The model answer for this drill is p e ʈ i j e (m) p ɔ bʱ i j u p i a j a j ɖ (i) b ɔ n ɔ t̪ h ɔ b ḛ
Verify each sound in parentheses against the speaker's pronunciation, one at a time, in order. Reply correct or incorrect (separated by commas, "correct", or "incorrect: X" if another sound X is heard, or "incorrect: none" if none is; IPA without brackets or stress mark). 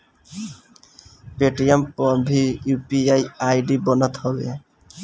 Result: correct, correct